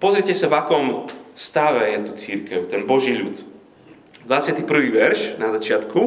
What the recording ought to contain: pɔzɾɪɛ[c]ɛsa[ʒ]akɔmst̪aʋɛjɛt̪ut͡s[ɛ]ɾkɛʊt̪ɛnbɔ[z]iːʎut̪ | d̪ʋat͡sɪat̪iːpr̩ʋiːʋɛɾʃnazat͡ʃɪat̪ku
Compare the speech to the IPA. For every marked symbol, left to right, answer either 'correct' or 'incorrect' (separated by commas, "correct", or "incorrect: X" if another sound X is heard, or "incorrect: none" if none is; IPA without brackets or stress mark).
correct, incorrect: v, incorrect: i, incorrect: ʒ